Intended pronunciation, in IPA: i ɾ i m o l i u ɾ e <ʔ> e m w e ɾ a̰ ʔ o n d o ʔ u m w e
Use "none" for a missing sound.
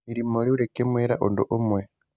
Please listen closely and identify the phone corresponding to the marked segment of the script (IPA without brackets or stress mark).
k